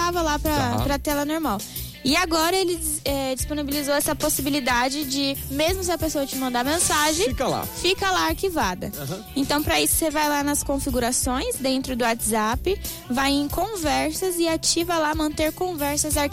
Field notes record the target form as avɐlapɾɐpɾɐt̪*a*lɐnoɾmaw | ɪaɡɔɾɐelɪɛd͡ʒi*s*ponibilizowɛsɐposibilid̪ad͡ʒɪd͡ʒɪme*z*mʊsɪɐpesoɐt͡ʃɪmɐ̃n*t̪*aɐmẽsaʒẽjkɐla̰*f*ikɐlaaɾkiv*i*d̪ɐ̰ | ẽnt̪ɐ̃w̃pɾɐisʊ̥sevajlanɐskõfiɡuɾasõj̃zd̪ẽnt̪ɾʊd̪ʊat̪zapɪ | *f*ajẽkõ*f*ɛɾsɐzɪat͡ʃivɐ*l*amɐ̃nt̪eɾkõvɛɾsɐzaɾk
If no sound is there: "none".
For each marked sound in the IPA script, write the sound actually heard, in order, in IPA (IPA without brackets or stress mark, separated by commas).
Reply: ɛ, s, z, d̪, f, a, v, v, l